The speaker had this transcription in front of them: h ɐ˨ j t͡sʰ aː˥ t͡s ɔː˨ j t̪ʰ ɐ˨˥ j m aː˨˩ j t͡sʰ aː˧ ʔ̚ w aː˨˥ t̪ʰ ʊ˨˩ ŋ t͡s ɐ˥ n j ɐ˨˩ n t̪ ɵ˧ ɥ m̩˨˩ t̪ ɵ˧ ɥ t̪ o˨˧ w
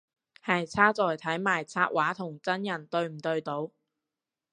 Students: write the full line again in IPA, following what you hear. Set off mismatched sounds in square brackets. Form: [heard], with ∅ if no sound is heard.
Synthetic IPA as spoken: h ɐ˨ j t͡sʰ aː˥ t͡s ɔː˨ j t̪ʰ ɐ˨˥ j m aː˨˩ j t͡sʰ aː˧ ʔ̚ w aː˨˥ t̪ʰ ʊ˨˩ ŋ t͡s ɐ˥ n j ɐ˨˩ n t̪ ɵ˧ ɥ m̩˨˩ t̪ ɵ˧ ɥ t̪ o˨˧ w